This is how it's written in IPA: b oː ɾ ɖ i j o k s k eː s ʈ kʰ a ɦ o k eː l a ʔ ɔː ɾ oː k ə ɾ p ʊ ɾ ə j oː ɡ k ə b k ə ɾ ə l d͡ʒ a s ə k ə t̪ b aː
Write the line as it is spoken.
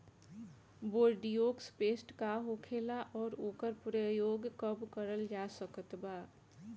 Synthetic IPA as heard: b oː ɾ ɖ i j o k s p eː s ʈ k a ɦ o kʰ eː l a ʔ ɔː ɾ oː k ə ɾ p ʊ ɾ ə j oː ɡ k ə b k ə ɾ ə l d͡ʒ a s ə k ə t̪ b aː